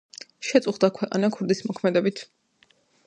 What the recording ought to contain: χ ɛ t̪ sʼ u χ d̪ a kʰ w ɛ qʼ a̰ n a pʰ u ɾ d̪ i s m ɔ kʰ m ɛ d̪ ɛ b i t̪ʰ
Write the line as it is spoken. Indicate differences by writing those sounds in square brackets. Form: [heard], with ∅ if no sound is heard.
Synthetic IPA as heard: [ʃ] ɛ t̪ sʼ u χ d̪ a kʰ w ɛ qʼ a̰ n a [kʰ] u ɾ d̪ i s m ɔ kʰ m ɛ d̪ ɛ b i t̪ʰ

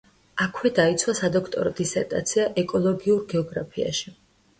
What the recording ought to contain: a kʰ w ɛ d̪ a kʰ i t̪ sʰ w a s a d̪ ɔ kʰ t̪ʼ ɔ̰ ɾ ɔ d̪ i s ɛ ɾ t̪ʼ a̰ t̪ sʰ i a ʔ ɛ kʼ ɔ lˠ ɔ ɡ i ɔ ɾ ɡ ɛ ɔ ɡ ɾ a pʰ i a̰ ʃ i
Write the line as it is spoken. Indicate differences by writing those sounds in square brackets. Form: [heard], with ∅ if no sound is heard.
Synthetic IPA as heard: a kʰ w ɛ d̪ a [∅] i t̪ sʰ w a s a d̪ ɔ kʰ t̪ʼ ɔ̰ ɾ ɔ d̪ i s ɛ ɾ t̪ʼ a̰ t̪ sʰ i a ʔ ɛ kʼ ɔ lˠ ɔ ɡ i [u] ɾ ɡ ɛ ɔ ɡ ɾ a pʰ i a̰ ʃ i

